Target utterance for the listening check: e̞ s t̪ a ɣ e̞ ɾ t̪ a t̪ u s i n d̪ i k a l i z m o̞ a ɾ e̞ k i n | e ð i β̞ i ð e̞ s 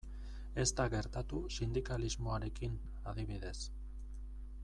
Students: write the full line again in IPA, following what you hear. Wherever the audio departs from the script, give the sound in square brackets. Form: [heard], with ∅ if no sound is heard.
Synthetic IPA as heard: e̞ s t̪ a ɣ e̞ ɾ t̪ a t̪ u s i n d̪ i k a l i z m o̞ a ɾ e̞ k i n | [a] ð i β̞ i ð e̞ s